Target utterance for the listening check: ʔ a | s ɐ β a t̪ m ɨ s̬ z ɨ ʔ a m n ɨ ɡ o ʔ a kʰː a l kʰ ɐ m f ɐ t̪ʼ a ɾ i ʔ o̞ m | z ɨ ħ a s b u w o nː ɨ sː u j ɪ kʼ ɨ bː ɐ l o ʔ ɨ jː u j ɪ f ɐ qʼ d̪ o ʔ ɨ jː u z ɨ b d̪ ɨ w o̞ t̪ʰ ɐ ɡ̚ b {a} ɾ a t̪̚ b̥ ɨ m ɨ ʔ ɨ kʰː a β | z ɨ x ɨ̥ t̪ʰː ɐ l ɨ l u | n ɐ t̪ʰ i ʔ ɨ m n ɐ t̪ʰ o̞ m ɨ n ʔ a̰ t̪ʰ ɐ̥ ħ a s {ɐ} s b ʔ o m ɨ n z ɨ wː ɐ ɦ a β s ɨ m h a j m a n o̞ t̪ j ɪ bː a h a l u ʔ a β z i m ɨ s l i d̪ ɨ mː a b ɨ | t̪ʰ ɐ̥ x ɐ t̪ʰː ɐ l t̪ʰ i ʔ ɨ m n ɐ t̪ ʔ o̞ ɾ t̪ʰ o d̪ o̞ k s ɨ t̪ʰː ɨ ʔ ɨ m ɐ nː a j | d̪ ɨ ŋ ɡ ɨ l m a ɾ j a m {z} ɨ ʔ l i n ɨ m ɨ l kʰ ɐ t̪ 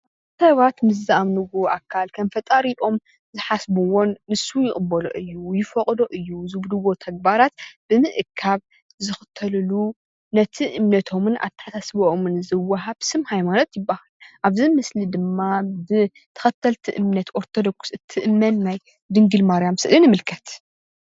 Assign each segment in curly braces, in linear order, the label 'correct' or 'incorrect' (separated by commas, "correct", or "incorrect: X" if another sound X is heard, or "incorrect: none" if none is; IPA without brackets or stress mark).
correct, incorrect: a, incorrect: s